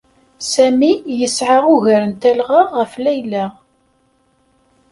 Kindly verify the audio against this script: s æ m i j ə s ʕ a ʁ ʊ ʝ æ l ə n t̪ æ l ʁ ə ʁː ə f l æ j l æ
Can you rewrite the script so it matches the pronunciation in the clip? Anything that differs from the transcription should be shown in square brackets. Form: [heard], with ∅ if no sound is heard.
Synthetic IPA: s æ m i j ə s ʕ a ʁ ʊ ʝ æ [ɾ] ə n t̪ æ l ʁ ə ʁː ə f l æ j l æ